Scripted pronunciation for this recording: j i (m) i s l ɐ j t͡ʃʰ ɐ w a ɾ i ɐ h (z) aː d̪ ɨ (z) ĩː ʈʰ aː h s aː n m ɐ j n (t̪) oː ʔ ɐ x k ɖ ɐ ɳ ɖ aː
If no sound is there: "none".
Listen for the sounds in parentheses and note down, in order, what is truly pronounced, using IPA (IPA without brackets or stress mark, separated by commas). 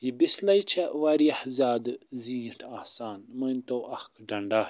b, z, z, t̪